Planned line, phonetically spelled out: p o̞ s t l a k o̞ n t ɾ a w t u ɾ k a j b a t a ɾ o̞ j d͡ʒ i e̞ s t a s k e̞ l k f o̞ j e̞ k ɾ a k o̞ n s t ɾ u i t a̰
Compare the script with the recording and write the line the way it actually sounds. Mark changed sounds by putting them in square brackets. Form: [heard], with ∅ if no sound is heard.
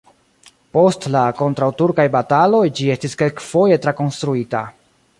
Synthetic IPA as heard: p o̞ s t l a k o̞ n t ɾ a w t u ɾ k a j b a t a [l] o̞ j d͡ʒ i e̞ s t [i] s k e̞ l k f o̞ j e̞ [t] ɾ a k o̞ n s t ɾ u i t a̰